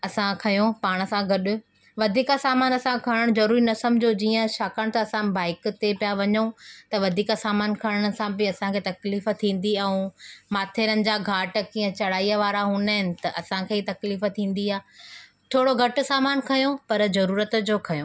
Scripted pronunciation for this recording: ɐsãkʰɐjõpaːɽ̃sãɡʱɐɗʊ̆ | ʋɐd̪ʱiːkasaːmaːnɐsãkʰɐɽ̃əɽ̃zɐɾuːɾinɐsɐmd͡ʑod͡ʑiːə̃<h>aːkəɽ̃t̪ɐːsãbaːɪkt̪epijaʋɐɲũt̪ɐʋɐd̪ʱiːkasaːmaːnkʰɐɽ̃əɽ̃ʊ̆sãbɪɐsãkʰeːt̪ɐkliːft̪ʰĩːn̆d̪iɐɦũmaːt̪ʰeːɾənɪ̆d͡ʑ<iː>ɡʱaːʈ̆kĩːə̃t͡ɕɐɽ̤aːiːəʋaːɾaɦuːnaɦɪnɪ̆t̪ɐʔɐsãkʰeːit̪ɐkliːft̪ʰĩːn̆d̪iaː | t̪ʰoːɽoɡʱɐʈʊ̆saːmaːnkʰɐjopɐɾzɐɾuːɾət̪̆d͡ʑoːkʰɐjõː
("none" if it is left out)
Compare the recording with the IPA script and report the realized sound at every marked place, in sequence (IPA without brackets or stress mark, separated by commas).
ʃ, aː